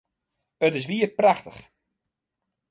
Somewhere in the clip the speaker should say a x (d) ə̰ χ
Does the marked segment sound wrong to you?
yes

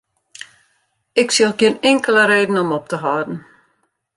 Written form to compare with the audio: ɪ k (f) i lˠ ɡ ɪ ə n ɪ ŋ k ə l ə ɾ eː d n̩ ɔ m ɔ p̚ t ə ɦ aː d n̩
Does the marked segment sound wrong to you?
yes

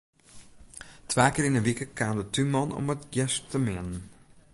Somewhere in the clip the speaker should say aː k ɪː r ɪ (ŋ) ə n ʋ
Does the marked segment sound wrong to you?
yes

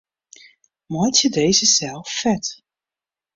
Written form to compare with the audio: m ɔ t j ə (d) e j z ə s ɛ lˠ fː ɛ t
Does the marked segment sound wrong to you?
no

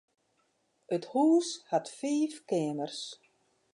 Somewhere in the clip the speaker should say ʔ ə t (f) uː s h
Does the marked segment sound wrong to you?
yes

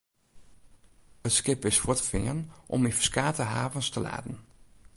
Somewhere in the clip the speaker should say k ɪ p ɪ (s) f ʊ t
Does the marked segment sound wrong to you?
no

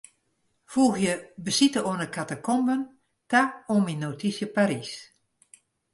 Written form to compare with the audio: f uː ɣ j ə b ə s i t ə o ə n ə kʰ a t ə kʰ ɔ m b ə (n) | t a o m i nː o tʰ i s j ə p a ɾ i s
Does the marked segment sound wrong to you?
no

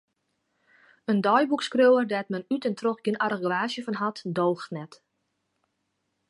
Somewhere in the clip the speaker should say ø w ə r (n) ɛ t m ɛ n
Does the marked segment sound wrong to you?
yes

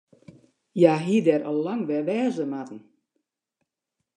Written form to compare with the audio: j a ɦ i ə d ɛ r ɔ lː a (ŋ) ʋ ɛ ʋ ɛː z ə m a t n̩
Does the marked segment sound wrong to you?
no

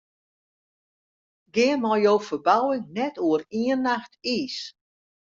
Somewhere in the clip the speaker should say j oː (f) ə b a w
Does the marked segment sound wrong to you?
no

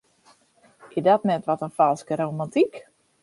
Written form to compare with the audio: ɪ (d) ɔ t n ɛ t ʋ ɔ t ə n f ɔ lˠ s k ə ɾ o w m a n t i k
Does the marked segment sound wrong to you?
no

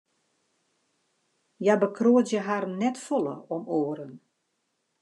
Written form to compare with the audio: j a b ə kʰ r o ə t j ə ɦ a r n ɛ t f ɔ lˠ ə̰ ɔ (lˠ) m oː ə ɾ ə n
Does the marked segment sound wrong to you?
yes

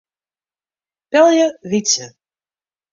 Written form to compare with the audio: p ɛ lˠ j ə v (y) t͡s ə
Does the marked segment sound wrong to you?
yes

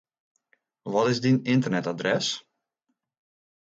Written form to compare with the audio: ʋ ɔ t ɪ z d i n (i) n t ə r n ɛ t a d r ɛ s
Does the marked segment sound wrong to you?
yes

